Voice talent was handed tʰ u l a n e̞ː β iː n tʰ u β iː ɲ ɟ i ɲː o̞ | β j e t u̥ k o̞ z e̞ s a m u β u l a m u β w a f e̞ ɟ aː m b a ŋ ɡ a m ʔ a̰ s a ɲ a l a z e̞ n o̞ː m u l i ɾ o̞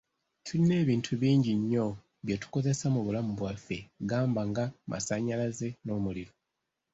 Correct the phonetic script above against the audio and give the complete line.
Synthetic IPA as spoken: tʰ u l i n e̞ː β iː n tʰ u β iː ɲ ɟ i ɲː o̞ | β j e t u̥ k o̞ z e̞ s a m u β u l a m u β w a f e̞ ɡ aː m b a ŋ ɡ a m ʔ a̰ s a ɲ a l a z e̞ n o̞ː m u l i ɾ o̞

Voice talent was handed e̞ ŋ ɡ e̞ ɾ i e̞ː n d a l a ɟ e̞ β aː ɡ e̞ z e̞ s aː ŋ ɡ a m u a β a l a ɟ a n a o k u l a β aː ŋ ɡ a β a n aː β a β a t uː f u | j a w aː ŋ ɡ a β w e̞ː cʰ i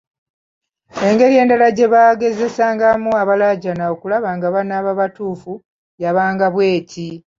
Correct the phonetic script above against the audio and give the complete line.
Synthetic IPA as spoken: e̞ ŋ ɡ e̞ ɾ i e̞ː n d a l a ɟ e̞ β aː ɡ e̞ z e̞ s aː ŋ ɡ a m u a β a l a ɟ a n a o k u l a β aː ŋ ɡ a β a n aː β a β a t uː f u | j a β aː ŋ ɡ a β w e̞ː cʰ i

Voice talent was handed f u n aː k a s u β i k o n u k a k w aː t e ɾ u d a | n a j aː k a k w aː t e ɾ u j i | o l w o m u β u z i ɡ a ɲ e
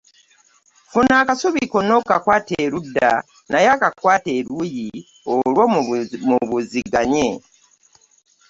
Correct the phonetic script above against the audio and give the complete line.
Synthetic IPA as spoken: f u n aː k a s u β i k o n o k a k w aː t e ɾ u d a | n a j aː k a k w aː t e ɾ u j i | o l w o m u β u z i ɡ a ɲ e

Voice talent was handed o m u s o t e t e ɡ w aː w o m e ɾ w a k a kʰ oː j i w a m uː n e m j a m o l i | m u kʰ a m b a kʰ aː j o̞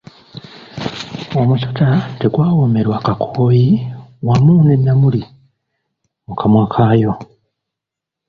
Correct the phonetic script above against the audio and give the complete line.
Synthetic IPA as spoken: o m u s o t a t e ɡ w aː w o m e ɾ w a k a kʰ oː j i w a m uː n e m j a m u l i | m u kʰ a m w a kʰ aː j o̞

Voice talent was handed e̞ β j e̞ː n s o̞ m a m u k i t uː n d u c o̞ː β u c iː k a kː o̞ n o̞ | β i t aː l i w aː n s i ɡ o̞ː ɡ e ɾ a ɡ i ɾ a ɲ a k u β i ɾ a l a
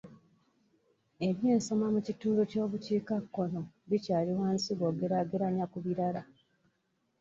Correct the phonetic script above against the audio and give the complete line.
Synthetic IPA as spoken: e̞ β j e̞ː n s o̞ m a m u c i t uː n d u c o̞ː β u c iː k a kː o̞ n o̞ | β i c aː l i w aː n s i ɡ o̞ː ɡ e ɾ a ɡ e ɾ a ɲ a k u β i ɾ a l a

